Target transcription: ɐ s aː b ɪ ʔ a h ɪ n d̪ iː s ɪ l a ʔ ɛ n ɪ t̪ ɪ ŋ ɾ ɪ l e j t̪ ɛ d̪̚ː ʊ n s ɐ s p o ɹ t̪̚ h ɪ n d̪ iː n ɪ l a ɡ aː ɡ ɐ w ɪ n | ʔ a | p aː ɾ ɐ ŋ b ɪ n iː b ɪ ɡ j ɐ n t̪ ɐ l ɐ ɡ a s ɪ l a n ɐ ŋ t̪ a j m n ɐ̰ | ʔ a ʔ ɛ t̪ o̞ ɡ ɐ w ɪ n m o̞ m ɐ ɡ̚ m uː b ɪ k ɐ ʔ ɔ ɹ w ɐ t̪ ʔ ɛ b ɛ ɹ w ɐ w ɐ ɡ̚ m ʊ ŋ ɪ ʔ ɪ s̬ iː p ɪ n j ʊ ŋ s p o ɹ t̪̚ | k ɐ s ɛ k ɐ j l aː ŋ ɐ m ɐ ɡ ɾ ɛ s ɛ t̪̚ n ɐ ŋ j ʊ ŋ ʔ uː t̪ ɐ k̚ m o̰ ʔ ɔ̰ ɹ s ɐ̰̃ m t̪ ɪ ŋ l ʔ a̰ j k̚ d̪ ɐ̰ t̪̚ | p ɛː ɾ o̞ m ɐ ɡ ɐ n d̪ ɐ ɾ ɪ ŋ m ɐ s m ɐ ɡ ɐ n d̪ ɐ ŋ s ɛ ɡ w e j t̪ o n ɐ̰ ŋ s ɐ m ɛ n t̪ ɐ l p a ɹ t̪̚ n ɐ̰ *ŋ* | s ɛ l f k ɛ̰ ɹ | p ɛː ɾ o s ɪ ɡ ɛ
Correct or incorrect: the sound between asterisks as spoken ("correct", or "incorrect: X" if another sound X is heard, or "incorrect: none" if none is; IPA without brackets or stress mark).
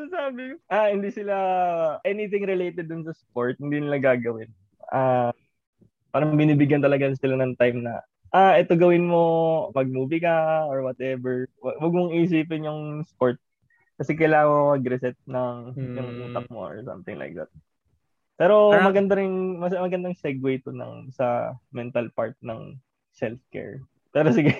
correct